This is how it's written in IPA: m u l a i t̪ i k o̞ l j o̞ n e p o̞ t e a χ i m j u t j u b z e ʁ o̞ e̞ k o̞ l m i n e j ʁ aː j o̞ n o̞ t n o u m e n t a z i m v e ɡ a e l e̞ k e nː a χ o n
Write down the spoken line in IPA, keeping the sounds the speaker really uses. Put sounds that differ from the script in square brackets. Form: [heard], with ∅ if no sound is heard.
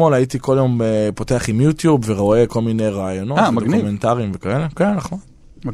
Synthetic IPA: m [o] l a i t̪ i k o̞ l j o̞ [m] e p o̞ t e a χ i m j u t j u b [v] e ʁ o̞ e̞ k o̞ l m i n e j ʁ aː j o̞ n o̞ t [d] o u m e n t a [ʁ] i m v e [k] a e l e̞ k e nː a χ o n